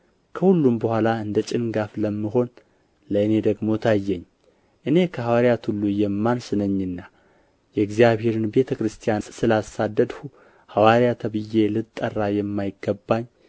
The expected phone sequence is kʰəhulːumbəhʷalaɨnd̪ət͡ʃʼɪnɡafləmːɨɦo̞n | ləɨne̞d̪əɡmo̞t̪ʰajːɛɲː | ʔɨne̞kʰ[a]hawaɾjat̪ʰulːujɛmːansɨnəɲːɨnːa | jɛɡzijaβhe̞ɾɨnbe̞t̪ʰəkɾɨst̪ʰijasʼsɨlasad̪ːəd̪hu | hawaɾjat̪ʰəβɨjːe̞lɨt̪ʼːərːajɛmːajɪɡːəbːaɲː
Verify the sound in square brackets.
incorrect: ə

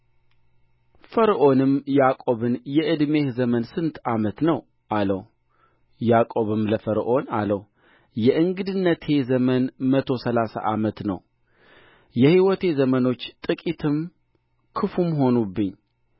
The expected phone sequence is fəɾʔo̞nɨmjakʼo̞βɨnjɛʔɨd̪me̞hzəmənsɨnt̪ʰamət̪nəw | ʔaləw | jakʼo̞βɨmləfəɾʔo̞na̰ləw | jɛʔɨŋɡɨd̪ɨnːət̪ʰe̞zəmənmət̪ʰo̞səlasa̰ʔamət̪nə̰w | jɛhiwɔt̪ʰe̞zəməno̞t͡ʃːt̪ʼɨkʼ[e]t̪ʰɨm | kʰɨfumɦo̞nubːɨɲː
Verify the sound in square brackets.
incorrect: i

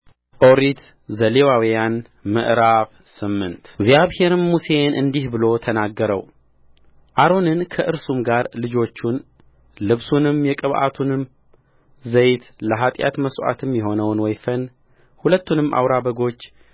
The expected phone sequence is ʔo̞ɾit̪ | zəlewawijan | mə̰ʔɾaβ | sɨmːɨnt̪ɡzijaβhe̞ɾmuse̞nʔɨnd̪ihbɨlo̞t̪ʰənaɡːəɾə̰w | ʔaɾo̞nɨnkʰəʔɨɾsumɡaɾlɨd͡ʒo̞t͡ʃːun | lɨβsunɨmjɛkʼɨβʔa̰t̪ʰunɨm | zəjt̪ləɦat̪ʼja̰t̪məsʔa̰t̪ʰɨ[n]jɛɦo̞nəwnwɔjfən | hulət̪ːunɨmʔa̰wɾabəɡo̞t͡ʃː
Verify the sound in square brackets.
incorrect: m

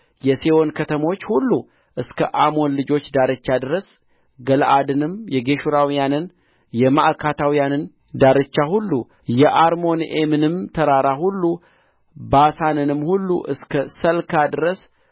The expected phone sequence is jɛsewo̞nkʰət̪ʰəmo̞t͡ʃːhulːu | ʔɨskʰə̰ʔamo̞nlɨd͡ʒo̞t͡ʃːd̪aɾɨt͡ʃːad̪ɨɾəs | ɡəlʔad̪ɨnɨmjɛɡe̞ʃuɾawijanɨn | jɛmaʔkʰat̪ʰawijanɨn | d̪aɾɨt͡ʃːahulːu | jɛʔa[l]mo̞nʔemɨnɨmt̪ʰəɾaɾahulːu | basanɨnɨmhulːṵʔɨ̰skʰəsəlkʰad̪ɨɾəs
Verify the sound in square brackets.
incorrect: ɾ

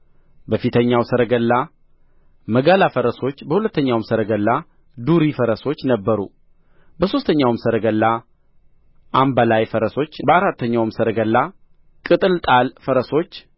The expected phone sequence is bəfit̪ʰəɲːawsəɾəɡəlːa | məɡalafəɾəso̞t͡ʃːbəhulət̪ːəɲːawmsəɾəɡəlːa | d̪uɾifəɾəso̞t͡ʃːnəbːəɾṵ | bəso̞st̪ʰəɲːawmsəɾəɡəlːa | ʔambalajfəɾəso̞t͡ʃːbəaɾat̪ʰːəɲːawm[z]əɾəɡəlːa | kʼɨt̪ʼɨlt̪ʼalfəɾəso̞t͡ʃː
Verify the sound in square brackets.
incorrect: s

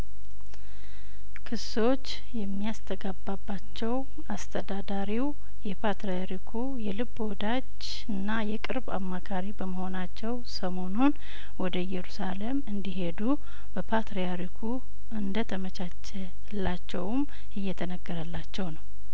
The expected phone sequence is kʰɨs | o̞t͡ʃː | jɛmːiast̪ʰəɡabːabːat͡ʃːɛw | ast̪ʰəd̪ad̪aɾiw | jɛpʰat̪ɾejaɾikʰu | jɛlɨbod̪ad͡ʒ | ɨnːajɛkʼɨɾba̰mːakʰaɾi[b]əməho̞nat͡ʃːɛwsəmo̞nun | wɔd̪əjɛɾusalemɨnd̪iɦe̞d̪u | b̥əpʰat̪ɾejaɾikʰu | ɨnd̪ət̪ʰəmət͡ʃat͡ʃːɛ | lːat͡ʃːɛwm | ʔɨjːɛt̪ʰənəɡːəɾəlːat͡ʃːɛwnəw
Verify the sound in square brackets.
correct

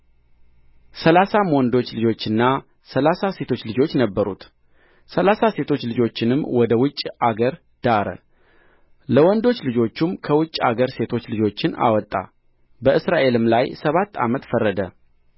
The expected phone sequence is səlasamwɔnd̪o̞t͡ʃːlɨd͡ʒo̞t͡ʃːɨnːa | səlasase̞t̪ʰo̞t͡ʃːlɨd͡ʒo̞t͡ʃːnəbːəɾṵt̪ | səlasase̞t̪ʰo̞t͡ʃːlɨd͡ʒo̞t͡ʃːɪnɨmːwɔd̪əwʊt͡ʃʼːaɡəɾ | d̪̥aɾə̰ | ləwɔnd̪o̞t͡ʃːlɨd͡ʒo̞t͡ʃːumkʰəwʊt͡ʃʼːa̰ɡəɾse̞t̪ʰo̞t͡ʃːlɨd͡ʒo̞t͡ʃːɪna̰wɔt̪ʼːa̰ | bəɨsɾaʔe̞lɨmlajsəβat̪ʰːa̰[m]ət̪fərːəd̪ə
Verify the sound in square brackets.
correct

